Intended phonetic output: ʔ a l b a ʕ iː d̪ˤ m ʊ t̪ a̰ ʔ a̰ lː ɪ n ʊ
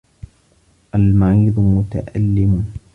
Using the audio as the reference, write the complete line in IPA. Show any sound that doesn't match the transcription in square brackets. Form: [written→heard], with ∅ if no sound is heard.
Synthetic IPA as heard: ʔ a l [b→m] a ʕ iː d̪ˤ m ʊ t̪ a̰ ʔ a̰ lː ɪ [n→m] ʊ

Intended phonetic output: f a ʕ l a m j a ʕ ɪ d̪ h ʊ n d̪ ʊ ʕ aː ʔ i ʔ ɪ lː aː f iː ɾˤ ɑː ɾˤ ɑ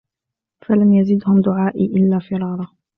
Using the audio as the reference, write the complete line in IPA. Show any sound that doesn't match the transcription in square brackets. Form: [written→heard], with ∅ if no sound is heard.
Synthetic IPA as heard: f a [ʕ→∅] l a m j a [ʕ→z] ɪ d̪ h ʊ [n→m] d̪ ʊ ʕ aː ʔ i ʔ ɪ lː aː f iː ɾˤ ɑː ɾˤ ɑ

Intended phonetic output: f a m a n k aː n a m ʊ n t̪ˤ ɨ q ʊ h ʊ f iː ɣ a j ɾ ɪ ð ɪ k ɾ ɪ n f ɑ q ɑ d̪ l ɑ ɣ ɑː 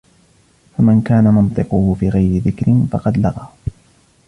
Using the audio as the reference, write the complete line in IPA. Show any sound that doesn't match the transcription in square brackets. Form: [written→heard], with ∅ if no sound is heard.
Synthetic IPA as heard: f a m a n k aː n a m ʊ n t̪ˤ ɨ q ʊ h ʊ f iː ɣ a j ɾ ɪ ð ɪ k ɾ ɪ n f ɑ q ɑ d̪ l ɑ ɣ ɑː

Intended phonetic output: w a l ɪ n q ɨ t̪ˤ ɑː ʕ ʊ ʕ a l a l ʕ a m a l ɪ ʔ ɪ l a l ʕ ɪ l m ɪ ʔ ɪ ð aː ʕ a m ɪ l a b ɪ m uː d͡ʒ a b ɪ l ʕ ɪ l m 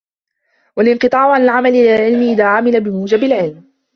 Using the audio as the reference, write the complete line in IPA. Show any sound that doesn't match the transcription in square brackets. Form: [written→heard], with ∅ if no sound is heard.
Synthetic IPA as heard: w a l ɪ n q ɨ t̪ˤ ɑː ʕ ʊ ʕ a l a l ʕ a m a l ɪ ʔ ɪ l a l ʕ ɪ l m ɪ ʔ ɪ ð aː ʕ a m ɪ l a b ɪ m uː d͡ʒ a b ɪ l ʕ ɪ l m

